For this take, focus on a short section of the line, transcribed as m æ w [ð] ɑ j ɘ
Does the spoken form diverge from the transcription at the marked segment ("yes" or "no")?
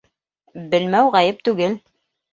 yes